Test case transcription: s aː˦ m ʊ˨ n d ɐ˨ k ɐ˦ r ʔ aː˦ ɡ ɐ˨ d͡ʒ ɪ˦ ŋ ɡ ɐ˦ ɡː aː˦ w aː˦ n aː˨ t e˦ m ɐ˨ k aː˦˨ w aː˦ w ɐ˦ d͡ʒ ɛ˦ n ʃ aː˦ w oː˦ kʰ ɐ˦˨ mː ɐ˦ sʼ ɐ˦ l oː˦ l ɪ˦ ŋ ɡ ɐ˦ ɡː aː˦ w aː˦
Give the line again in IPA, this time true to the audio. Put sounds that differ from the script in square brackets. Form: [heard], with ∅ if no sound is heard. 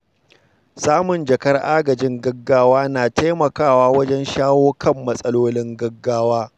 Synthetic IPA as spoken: s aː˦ m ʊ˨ n [d͡ʒ] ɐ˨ k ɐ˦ r ʔ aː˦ ɡ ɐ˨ d͡ʒ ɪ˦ ŋ ɡ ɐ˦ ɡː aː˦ w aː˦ n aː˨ t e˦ m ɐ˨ k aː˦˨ w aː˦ w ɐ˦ d͡ʒ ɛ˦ n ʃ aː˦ w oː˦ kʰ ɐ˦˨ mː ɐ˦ sʼ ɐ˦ l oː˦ l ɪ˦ ŋ ɡ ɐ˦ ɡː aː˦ w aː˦

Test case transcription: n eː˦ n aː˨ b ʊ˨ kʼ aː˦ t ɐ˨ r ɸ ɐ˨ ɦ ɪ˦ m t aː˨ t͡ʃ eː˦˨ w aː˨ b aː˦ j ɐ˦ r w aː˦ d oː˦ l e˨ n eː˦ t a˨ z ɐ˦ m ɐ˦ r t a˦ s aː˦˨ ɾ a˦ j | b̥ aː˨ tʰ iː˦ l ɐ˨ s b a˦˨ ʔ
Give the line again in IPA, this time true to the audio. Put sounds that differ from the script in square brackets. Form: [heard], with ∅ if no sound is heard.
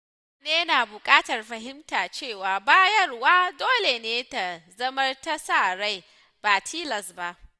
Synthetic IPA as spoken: n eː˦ n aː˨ b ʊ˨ kʼ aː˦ t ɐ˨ r ɸ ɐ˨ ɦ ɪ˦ m t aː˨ t͡ʃ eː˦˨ w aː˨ b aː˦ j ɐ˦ r w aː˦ d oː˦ l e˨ n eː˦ t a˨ z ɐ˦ m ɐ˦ r t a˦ s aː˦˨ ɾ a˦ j | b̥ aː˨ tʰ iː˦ l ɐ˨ s b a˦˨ ʔ

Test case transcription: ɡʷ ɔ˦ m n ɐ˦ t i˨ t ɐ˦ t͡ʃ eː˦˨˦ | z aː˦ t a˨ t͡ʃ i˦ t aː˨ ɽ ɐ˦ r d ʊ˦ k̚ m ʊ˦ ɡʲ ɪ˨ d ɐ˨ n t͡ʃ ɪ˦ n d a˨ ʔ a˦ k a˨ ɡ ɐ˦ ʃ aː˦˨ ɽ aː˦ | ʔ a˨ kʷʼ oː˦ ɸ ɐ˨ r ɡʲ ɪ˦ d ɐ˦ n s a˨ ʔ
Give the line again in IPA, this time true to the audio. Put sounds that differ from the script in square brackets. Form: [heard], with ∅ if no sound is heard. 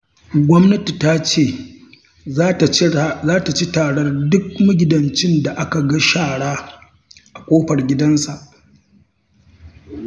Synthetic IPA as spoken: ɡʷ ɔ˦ m n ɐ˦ t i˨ t [a˦] t͡ʃ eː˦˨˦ | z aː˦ t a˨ t͡ʃ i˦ t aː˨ ɽ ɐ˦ r d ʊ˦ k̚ m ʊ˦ ɡʲ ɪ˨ d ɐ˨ n t͡ʃ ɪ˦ n d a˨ ʔ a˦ k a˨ ɡ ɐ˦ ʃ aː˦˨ ɽ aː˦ | ʔ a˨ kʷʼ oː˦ ɸ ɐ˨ r ɡʲ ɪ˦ d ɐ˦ n s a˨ ʔ

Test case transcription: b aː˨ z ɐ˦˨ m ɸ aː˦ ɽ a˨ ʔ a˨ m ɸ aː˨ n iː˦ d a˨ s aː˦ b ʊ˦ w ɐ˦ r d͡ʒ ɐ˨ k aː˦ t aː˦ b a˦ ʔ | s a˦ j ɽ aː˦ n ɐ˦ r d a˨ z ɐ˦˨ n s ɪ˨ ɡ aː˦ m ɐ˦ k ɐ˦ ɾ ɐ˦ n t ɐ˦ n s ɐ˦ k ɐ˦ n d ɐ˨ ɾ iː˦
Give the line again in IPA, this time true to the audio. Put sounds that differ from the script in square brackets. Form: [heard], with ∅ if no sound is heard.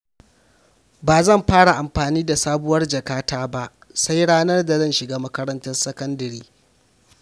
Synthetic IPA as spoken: b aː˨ z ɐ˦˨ m ɸ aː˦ ɽ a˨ ʔ a˨ m ɸ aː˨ n iː˦ d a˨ s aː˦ b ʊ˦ w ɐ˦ r d͡ʒ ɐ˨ k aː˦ t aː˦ b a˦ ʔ | s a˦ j ɽ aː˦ n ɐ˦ r d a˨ z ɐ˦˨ n [ʃ] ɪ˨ ɡ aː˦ m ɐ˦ k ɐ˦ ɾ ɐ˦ n t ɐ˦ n s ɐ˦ k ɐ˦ n d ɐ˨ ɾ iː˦

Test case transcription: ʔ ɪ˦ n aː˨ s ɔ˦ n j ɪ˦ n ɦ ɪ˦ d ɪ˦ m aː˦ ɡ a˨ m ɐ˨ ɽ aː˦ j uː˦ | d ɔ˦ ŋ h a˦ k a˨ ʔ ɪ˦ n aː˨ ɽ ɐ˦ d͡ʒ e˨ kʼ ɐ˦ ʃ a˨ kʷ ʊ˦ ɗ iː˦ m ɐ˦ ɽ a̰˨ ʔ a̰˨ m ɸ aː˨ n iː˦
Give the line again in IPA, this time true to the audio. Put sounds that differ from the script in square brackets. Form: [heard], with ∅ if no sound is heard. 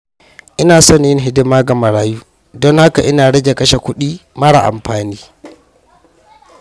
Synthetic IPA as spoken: ʔ ɪ˦ n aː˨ s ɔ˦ n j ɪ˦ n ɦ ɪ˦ d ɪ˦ m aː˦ ɡ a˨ m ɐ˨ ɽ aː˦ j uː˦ | d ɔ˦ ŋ h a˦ k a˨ ʔ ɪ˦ n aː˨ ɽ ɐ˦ d͡ʒ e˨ [k] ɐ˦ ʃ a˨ kʷ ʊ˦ ɗ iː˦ m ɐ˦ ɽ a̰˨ ʔ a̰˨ m ɸ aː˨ n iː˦

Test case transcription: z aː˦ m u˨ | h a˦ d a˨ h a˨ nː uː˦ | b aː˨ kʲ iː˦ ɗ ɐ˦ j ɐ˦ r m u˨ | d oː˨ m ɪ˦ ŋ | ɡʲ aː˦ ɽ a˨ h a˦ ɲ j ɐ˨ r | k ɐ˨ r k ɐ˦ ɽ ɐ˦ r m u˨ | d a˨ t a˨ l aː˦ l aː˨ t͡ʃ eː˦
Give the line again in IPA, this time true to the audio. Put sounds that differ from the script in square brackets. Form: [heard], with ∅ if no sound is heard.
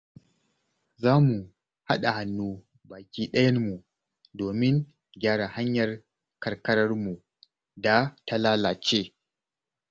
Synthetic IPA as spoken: z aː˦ m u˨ | h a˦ [ɗ] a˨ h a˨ nː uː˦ | b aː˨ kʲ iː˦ ɗ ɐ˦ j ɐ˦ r m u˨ | d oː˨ m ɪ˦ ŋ | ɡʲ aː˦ ɽ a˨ h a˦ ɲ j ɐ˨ r | k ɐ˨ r k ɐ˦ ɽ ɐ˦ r m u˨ | d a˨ t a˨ l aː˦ l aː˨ t͡ʃ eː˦

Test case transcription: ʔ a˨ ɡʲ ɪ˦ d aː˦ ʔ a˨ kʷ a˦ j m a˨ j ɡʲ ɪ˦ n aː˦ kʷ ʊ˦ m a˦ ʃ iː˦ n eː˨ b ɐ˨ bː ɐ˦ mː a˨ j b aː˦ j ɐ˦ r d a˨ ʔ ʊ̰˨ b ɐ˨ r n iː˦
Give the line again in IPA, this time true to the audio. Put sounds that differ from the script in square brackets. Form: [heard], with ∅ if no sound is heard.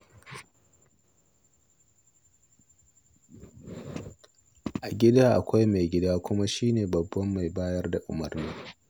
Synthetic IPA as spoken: ʔ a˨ ɡʲ ɪ˦ d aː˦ ʔ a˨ kʷ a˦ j m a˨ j ɡʲ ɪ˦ [d] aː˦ kʷ ʊ˦ m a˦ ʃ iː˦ n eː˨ b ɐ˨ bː ɐ˦ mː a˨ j b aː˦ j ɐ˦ r d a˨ ʔ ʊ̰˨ [m] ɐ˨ r n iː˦

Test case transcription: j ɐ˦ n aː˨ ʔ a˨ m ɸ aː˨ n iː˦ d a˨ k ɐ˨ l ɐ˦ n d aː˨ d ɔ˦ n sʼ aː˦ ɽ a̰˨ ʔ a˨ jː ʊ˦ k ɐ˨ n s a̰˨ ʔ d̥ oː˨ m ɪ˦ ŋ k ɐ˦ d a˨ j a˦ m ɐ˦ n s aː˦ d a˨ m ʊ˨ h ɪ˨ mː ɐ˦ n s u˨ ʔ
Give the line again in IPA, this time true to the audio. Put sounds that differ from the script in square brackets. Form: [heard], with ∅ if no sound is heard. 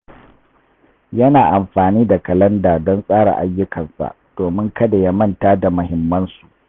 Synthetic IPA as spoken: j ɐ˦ n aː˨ ʔ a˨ m ɸ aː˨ n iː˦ d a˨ k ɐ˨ l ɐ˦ n d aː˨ d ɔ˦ n sʼ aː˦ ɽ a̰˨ ʔ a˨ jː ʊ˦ k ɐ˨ n s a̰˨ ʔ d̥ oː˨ m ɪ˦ ŋ k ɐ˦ d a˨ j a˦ m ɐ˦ n [t] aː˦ d a˨ m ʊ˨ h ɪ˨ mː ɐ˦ n s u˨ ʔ

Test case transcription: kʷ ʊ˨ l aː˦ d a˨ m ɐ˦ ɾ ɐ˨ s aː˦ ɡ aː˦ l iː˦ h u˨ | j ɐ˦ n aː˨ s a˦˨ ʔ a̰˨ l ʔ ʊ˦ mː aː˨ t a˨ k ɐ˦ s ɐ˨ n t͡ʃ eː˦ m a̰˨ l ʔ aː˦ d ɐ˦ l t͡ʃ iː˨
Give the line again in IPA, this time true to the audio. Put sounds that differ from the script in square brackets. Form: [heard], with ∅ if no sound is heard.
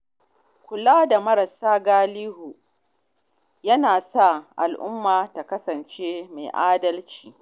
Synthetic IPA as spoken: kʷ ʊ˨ l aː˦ d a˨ m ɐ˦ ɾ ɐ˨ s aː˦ ɡ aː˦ l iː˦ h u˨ | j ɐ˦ n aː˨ s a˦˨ ʔ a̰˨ l ʔ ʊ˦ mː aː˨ t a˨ k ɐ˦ s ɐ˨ n t͡ʃ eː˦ m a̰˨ [∅] ʔ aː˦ d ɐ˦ l t͡ʃ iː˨

